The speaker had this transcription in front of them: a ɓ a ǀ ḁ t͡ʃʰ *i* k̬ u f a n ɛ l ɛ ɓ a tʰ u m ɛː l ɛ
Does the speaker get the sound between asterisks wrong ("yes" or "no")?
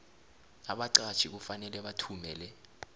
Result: no